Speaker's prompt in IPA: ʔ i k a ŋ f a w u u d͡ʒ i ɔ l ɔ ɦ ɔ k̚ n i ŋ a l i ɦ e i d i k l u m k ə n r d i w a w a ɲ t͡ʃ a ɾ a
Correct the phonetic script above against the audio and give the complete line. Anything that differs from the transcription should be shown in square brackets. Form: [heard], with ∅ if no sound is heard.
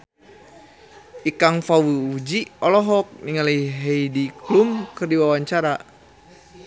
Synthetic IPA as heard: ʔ i k a ŋ f a w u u d͡ʒ i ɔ l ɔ ɦ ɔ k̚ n i ŋ a l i ɦ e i d i k l u m k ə [∅] r d i w a w a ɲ t͡ʃ a ɾ a